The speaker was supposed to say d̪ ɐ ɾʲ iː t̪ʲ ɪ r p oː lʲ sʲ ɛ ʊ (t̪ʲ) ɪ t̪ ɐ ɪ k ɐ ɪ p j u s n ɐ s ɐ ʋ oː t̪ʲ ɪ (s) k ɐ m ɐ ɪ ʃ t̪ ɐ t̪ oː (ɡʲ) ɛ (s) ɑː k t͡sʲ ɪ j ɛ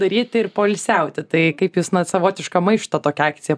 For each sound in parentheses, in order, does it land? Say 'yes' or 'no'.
yes, no, no, no

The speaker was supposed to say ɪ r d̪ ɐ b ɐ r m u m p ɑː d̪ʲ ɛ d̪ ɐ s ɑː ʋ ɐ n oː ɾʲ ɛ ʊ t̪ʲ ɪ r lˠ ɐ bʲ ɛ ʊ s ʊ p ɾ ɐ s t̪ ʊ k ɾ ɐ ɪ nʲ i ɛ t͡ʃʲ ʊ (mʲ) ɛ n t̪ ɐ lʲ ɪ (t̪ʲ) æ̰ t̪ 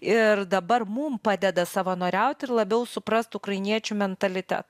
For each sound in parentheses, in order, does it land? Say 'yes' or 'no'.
yes, yes

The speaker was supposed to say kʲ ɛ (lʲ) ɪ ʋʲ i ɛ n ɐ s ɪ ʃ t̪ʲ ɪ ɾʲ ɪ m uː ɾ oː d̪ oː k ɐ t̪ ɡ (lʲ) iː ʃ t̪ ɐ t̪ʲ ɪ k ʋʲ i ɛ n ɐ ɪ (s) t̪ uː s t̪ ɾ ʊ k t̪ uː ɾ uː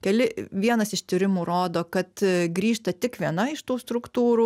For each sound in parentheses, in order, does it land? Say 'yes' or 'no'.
yes, no, no

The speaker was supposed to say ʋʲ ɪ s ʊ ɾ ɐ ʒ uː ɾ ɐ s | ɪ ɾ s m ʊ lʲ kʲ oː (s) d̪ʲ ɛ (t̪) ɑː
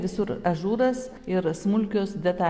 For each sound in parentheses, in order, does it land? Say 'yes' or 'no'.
yes, yes

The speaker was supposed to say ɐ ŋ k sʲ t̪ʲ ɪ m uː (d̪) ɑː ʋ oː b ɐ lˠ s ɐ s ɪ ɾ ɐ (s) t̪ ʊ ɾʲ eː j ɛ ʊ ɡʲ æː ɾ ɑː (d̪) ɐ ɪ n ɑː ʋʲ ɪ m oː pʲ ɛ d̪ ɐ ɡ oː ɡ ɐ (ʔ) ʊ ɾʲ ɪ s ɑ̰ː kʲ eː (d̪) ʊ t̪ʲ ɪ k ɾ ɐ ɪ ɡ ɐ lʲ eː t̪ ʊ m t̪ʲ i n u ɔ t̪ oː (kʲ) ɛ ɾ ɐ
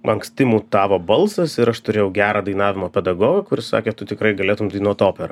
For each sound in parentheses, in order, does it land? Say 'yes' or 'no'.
no, no, yes, no, no, no

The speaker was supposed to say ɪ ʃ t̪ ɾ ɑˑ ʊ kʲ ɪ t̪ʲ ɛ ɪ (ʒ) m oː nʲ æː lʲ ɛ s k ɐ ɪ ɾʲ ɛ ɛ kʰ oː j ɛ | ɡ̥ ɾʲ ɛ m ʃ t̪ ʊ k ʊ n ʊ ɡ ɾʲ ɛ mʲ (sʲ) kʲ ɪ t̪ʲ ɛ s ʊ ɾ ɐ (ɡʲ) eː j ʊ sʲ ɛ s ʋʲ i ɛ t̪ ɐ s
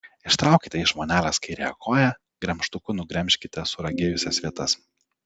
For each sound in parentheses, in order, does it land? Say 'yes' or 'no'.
yes, no, yes

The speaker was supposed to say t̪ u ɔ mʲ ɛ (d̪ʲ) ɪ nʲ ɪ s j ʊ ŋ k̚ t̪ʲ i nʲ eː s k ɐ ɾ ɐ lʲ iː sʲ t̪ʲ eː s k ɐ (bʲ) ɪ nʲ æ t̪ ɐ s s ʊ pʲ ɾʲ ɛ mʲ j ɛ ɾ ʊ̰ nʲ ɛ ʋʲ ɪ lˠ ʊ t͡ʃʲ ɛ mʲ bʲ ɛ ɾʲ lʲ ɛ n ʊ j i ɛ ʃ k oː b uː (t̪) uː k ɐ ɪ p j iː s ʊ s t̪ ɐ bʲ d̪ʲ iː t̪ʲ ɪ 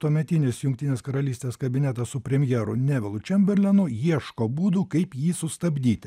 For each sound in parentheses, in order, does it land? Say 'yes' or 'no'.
no, yes, no

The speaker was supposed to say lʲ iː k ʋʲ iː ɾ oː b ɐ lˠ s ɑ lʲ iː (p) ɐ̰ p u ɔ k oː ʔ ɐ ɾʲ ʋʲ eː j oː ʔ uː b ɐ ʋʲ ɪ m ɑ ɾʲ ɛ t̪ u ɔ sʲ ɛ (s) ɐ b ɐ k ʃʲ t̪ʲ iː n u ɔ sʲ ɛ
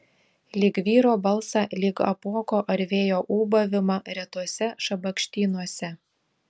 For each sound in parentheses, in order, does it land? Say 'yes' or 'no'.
no, no

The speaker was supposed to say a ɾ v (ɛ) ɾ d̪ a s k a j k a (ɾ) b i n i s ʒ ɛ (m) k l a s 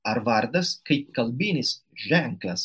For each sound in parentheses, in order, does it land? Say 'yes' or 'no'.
no, no, no

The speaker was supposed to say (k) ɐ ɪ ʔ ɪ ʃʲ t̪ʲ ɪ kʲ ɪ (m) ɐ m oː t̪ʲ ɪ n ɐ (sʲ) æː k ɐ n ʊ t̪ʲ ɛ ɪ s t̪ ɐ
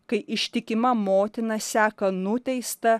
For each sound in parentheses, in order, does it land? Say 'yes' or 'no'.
yes, yes, yes

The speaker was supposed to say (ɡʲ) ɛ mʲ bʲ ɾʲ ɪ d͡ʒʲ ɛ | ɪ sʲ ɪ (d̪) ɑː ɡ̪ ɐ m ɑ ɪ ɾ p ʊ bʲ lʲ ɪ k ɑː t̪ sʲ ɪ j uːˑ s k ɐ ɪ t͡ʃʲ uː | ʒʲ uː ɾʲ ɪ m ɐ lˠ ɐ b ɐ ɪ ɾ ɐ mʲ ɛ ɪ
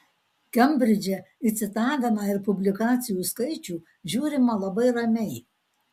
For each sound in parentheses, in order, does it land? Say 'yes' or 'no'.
no, no

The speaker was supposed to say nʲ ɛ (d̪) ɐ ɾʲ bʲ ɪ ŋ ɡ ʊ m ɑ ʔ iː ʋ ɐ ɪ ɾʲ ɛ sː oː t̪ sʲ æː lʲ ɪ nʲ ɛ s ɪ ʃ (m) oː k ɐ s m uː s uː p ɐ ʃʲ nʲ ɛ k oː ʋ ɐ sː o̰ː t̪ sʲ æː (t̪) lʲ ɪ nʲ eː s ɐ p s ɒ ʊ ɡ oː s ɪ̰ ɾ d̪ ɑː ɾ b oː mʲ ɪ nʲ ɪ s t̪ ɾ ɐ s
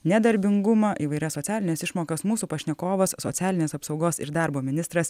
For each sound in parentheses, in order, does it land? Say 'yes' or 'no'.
yes, yes, no

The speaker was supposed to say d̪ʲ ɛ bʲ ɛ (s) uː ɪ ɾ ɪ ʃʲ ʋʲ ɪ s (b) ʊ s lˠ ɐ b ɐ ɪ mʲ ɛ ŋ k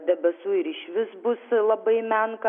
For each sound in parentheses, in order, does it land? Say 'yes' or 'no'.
yes, yes

